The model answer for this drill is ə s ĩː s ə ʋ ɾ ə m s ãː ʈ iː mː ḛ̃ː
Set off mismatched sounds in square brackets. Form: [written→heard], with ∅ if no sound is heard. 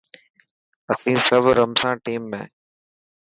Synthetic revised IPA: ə s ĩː s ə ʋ ɾ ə m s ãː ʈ iː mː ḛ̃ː